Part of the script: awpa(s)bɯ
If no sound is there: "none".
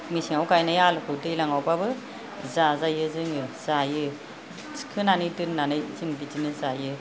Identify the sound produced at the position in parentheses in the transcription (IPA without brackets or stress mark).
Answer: none